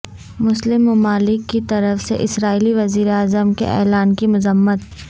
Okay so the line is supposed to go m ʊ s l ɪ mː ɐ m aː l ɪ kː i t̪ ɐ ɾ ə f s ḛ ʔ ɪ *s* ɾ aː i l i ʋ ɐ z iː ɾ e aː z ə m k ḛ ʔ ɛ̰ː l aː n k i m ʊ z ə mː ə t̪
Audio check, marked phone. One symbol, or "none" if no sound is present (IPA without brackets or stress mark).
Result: s